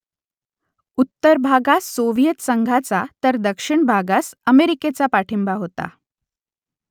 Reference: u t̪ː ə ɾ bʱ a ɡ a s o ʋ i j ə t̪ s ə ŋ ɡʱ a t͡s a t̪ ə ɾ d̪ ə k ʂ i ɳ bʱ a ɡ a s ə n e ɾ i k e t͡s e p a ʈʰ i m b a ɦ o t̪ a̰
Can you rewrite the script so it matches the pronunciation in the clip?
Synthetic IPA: u t̪ː ə ɾ bʱ a ɡ a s o ʋ i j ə t̪ s ə ŋ ɡʱ a t͡s a t̪ ə ɾ d̪ ə k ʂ i ɳ bʱ a ɡ a s ə m e ɾ i k e t͡s a p a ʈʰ i m b a ɦ o t̪ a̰